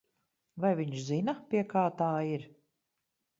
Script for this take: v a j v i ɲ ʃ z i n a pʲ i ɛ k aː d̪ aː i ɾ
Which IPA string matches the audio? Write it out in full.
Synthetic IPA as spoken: v a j v i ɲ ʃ z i n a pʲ i ɛ k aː t̪ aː i ɾ

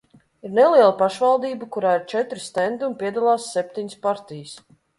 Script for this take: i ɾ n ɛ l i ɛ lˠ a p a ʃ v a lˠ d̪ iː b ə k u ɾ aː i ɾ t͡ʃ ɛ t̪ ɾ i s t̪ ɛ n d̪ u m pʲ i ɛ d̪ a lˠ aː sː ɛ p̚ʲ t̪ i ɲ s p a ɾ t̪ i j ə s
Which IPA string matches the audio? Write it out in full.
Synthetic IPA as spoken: i ɾ n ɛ l i ɛ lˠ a p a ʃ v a lˠ d̪ iː b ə k u ɾ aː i ɾ t͡ʃ ɛ t̪ ɾ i s t̪ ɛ n d̪ u m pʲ i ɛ d̪ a lˠ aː sː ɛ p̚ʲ t̪ i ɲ s p a ɾ t̪ i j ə s

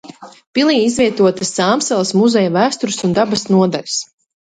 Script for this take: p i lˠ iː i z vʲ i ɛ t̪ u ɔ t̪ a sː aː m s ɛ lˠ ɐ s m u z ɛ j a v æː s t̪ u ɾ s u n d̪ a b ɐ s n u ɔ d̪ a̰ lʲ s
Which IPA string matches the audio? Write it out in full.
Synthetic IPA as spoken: p i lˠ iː i z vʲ i ɛ t̪ u ɔ t̪ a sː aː m s ɛ lˠ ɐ s m u z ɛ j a v æː s t̪ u ɾ s u n d̪ a b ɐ s n u ɔ d̪ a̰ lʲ s

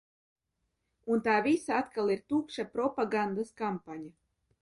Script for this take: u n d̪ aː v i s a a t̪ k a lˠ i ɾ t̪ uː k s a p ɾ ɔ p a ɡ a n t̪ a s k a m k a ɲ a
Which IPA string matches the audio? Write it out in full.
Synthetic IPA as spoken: u n t̪ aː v i s a a t̪ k a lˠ i ɾ t̪ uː k ʃ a p ɾ ɔ p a ɡ a n d̪ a s k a m p a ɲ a

